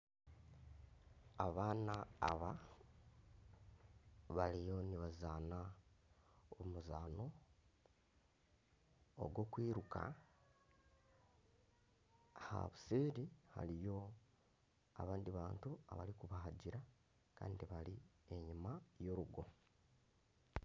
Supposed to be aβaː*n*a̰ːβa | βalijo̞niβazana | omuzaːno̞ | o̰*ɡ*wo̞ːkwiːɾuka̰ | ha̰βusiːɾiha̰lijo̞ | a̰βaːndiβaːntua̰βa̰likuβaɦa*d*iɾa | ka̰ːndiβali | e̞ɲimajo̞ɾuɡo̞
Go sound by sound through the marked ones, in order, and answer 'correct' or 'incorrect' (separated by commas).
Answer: correct, correct, incorrect